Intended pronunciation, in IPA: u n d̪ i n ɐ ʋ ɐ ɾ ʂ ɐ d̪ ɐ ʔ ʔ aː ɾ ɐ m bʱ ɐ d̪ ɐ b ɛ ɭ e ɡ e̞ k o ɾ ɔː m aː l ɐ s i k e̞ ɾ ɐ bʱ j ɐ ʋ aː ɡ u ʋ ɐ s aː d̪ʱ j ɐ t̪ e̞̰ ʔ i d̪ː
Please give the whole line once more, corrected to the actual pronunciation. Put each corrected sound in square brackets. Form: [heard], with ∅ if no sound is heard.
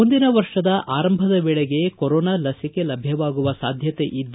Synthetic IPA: u n d̪ i n ɐ ʋ ɐ ɾ ʂ ɐ d̪ ɐ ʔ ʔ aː ɾ ɐ m bʱ ɐ d̪ ɐ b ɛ ɭ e ɡ e̞ k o ɾ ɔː [n] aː l ɐ s i k e̞ [l] ɐ bʱ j ɐ ʋ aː ɡ u ʋ ɐ s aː d̪ʱ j ɐ t̪ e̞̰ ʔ i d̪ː

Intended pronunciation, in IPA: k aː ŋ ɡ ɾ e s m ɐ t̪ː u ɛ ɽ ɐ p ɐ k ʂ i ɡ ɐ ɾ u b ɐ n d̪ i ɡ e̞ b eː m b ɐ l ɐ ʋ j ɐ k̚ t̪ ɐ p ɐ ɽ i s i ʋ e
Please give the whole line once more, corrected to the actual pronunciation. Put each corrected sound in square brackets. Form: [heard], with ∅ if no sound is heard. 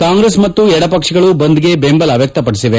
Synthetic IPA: k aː ŋ ɡ ɾ e s m ɐ t̪ː u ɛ ɽ ɐ p ɐ k ʂ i ɡ ɐ [ɭ] u b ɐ n d̪ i ɡ e̞ b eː m b ɐ l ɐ ʋ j ɐ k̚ t̪ ɐ p ɐ ɽ i s i ʋ e

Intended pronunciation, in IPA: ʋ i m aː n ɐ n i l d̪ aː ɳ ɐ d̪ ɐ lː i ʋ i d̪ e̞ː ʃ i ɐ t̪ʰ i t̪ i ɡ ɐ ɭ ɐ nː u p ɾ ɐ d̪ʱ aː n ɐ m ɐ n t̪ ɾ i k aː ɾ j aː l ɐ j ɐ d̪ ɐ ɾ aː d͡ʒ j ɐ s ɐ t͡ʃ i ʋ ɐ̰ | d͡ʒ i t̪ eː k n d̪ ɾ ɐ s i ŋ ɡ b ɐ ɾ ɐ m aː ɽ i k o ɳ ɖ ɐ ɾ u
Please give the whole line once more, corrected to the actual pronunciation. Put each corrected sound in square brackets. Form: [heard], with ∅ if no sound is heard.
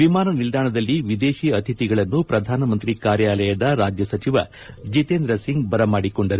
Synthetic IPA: ʋ i m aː n ɐ n i l d̪ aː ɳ ɐ d̪ ɐ lː i ʋ i d̪ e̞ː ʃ i ɐ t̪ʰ i t̪ i ɡ ɐ ɭ ɐ nː u p ɾ ɐ d̪ʱ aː n ɐ m ɐ n t̪ ɾ i k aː ɾ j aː l ɐ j ɐ d̪ ɐ ɾ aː d͡ʒ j ɐ s ɐ t͡ʃ i ʋ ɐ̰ | d͡ʒ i t̪ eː [∅] n d̪ ɾ ɐ s i ŋ ɡ b ɐ ɾ ɐ m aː ɽ i k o ɳ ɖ ɐ ɾ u

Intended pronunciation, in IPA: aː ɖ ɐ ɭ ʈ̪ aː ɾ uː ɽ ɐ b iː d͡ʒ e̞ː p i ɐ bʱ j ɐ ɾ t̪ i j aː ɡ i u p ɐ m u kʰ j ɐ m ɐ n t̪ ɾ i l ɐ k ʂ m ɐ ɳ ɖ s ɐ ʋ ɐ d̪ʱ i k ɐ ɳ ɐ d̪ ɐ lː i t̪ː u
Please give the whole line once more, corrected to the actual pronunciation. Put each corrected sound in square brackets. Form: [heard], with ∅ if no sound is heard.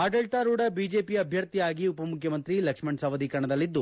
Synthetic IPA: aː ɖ ɐ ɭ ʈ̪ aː ɾ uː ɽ ɐ b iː d͡ʒ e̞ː p i ɐ bʱ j ɐ ɾ t̪ i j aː ɡ i u p ɐ m u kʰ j ɐ m ɐ n t̪ ɾ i l ɐ k ʂ m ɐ ɳ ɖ s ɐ ʋ ɐ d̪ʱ i k ɐ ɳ ɐ d̪ ɐ lː i [d̪ː] u

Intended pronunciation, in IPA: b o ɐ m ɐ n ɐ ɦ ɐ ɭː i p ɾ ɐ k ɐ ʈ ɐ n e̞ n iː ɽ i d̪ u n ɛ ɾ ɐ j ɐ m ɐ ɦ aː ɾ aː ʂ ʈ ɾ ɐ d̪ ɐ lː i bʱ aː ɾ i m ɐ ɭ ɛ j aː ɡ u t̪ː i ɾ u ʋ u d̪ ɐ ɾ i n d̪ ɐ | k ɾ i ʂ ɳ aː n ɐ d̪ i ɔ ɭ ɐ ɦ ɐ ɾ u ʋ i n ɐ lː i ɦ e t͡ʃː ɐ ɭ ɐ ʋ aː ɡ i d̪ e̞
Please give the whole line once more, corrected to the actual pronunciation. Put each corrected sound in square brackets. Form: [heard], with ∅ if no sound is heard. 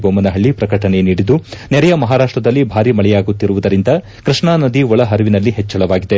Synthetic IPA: b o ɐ m ɐ n ɐ ɦ ɐ ɭː i p ɾ ɐ k ɐ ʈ ɐ n e̞ n iː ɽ i d̪ u n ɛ ɾ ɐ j ɐ m ɐ ɦ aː ɾ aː ʂ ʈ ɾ ɐ d̪ ɐ lː i bʱ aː ɾ i m ɐ ɭ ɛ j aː ɡ u t̪ː i ɾ u ʋ u d̪ ɐ ɾ i n d̪ ɐ | k ɾ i ʂ ɳ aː n ɐ d̪ i ɔ ɭ ɐ ɦ ɐ ɾ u ʋ i n ɐ lː i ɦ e t͡ʃː ɐ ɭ ɐ ʋ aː ɡ i d̪ e̞

